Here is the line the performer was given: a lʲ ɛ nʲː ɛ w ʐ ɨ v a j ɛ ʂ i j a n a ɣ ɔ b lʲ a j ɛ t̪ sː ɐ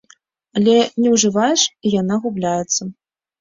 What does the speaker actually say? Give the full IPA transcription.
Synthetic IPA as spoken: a lʲ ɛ nʲ ɛ w ʐ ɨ v a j ɛ ʂ i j a n a ɣ u b lʲ a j ɛ t̪ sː ɐ